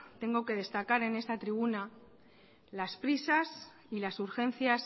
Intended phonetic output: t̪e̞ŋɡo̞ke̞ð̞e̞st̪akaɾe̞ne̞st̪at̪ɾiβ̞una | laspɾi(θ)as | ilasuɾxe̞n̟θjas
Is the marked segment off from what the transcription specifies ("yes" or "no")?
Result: yes